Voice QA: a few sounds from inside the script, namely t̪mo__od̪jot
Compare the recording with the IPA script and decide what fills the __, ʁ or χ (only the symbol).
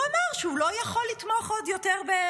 χ